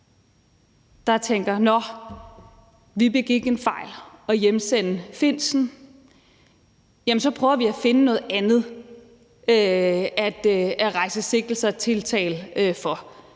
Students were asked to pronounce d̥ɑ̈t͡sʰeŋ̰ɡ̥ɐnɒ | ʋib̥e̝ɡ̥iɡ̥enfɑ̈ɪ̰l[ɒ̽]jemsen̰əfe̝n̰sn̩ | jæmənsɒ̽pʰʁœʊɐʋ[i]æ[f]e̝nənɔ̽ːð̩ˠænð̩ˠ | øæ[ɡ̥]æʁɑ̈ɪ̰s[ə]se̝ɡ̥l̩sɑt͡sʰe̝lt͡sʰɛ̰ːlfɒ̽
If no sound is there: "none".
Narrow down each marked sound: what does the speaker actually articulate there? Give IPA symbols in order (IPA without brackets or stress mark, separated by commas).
ɒ̽, i, f, d̥, ə